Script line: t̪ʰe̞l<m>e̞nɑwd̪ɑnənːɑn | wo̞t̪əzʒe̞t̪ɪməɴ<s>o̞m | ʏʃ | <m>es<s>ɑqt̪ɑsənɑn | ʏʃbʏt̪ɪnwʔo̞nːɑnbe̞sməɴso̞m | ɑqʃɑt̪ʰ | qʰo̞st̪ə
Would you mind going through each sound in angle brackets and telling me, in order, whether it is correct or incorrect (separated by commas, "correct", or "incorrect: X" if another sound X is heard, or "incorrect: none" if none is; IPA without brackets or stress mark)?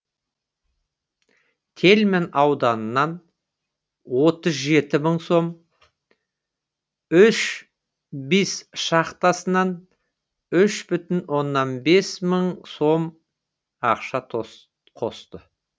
correct, correct, incorrect: b, incorrect: ʃ